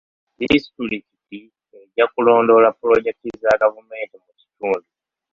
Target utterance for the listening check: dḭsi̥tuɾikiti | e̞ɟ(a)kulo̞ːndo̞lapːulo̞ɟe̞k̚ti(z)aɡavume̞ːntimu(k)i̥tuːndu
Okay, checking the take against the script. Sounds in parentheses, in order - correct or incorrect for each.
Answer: correct, correct, incorrect

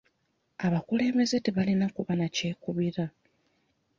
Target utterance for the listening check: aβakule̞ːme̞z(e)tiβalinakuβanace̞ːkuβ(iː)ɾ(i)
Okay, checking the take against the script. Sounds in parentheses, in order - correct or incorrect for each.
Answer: correct, incorrect, incorrect

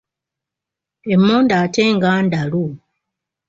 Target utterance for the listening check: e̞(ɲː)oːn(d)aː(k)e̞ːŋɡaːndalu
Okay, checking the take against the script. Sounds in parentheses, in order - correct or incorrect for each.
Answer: incorrect, correct, incorrect

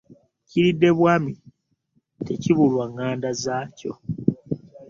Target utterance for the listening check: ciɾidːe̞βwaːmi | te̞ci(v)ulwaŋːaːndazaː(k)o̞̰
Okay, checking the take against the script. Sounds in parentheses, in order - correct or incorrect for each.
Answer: incorrect, incorrect

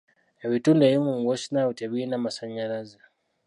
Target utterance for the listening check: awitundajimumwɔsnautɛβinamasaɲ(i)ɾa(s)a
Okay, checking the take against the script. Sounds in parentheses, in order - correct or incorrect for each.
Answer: incorrect, incorrect

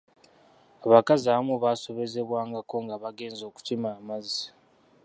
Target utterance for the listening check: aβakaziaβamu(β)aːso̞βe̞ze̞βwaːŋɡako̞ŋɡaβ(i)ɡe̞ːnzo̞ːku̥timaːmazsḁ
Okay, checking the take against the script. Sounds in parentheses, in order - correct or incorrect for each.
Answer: correct, incorrect

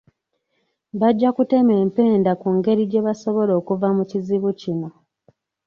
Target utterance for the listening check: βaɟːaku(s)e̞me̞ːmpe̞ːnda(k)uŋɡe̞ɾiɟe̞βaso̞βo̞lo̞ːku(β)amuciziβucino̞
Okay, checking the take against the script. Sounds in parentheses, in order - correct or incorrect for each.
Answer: incorrect, correct, incorrect

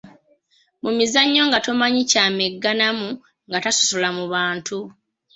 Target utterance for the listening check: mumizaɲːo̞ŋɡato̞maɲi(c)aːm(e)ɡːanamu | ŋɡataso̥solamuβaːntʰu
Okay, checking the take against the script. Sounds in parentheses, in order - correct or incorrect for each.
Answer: correct, correct

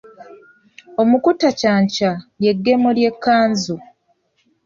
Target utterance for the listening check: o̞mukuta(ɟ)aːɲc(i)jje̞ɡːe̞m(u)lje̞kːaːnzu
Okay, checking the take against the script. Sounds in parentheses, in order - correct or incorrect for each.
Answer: incorrect, incorrect, incorrect

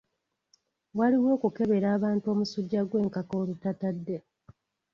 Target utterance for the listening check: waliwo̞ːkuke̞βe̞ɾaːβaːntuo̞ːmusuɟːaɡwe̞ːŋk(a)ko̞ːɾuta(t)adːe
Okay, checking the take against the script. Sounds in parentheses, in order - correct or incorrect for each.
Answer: correct, correct

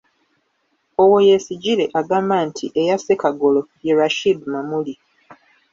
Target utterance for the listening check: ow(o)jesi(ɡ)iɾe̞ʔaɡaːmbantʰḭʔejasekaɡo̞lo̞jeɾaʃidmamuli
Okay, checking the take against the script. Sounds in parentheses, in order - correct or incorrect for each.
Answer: correct, incorrect

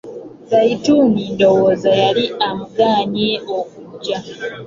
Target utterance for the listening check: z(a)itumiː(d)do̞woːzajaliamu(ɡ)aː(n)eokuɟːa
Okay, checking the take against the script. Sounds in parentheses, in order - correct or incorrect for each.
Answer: correct, incorrect, correct, incorrect

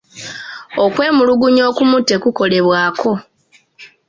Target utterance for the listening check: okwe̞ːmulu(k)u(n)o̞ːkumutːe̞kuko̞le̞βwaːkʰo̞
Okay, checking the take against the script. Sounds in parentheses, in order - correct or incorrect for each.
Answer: incorrect, incorrect

